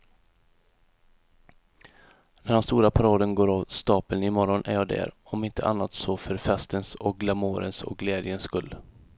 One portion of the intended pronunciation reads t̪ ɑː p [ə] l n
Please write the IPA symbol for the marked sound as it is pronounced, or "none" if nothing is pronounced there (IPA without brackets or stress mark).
ə